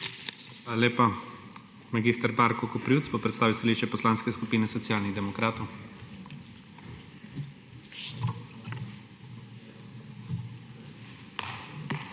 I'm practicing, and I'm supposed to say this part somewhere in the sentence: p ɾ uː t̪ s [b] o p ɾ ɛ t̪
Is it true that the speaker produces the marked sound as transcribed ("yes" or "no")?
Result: yes